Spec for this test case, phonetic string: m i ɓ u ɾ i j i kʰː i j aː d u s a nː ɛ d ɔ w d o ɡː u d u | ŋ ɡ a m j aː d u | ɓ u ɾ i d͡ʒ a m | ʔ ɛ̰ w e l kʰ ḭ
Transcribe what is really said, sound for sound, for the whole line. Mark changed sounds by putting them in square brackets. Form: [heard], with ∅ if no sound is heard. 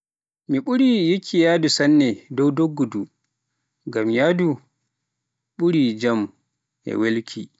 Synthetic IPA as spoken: m i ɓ u ɾ i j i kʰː i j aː d u s a nː ɛ d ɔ w d o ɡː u d u | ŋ ɡ a m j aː d u | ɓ u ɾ i d͡ʒ a m | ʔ ɛ̰ w e l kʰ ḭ

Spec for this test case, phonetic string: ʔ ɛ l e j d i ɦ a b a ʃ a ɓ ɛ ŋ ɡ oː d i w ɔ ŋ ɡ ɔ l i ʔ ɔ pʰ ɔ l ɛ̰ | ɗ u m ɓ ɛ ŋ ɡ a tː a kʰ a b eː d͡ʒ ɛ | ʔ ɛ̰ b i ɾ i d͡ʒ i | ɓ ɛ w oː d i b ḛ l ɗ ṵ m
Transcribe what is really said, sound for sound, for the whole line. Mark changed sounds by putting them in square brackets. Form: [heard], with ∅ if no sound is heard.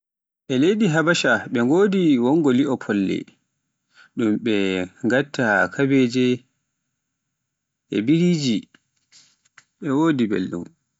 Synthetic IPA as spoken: ʔ ɛ l e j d i ɦ a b a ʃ a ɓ ɛ ŋ ɡ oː d i w ɔ ŋ ɡ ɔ l i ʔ ɔ pʰ ɔ [lː] ɛ̰ | ɗ u m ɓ ɛ ŋ ɡ a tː a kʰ a b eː d͡ʒ ɛ | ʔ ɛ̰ b i ɾ i d͡ʒ i | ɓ ɛ w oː d i b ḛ l ɗ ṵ m

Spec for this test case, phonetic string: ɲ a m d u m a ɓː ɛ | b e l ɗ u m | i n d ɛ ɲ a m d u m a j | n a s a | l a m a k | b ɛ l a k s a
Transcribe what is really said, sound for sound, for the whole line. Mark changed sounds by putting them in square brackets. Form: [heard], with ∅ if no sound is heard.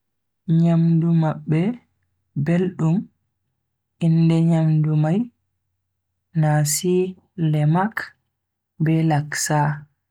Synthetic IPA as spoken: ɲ a m d u m a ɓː ɛ | b e l ɗ u m | i n d ɛ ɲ a m d u m a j | n a s [i] | l [ɛ] m a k | b ɛ l a k s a

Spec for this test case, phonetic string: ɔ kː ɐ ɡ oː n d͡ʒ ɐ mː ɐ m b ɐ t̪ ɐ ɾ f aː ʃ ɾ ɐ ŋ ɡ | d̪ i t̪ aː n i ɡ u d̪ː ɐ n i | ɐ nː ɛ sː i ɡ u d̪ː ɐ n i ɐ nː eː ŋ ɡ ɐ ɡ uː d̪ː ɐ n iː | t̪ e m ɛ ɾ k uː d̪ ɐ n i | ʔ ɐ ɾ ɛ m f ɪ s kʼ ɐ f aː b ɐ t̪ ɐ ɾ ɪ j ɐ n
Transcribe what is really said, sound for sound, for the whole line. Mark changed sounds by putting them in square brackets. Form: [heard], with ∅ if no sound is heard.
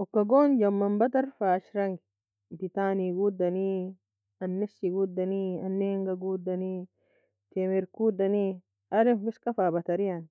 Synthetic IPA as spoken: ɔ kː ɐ ɡ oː n d͡ʒ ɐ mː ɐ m b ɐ t̪ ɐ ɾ f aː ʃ ɾ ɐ ŋ ɡ | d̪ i t̪ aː n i ɡ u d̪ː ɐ n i | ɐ nː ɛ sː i ɡ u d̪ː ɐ n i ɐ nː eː ŋ ɡ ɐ ɡ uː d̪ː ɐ n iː | t̪ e m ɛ ɾ k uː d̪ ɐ n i | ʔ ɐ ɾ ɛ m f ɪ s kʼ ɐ f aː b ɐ t̪ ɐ ɾ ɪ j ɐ n

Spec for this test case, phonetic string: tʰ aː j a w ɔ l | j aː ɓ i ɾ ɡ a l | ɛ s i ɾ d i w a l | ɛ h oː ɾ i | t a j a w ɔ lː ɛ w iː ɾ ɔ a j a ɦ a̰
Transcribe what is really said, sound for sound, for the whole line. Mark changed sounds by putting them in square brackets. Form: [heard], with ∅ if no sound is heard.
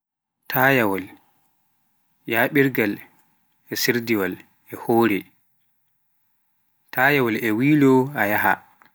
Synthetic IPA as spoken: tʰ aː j a w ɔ l | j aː ɓ i ɾ ɡ a l | ɛ s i ɾ d i w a l | ɛ h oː ɾ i | t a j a w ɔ [l] ɛ w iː [l] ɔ a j a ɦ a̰

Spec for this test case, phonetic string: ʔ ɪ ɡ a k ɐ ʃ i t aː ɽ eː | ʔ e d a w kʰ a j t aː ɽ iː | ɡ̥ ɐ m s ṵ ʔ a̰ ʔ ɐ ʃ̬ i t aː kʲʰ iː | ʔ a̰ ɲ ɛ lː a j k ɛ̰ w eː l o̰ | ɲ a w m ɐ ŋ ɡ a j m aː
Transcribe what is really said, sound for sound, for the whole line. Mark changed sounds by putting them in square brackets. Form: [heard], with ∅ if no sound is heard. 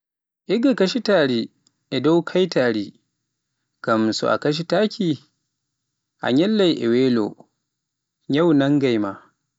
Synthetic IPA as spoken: ʔ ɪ ɡ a k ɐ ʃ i t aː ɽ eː | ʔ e d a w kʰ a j t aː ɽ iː | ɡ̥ ɐ m s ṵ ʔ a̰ [k] ɐ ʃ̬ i t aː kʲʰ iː | ʔ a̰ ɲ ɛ lː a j [ʔ] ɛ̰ w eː l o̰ | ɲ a w [n] ɐ ŋ ɡ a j m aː

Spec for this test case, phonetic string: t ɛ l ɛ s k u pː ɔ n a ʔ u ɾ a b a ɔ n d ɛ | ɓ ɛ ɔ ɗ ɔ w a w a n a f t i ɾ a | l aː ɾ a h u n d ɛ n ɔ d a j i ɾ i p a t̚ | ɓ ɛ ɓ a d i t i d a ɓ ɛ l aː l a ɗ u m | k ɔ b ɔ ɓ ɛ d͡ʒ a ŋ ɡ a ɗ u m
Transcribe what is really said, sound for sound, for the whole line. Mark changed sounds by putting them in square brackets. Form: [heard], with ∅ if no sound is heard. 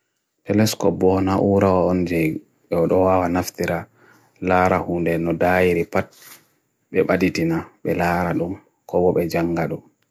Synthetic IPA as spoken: t ɛ l ɛ s k [ɔ] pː ɔ n a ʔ u ɾ a [w] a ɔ n [d͡ʒ] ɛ | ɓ ɛ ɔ ɗ ɔ w a w a n a f t i ɾ a | l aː ɾ a h u n d ɛ n ɔ d a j i ɾ i p a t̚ | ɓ ɛ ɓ a d i t i [n] a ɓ ɛ l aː [ɾ] a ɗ u m | k ɔ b ɔ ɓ ɛ d͡ʒ a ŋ ɡ a ɗ u m

